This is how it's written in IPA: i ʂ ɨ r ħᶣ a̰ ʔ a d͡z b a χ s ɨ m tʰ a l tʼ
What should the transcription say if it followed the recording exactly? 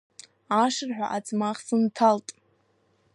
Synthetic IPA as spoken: a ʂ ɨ r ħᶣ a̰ ʔ a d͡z m a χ s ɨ n tʰ a l tʼ